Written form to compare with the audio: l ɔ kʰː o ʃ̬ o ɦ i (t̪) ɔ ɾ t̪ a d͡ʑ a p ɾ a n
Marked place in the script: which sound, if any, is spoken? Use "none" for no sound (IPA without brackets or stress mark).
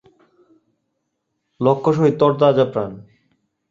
t̪